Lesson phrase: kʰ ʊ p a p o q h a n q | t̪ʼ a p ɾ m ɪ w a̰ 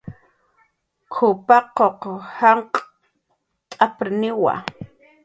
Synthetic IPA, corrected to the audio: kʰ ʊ p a q o q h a ɴ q | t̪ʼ a p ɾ n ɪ w a̰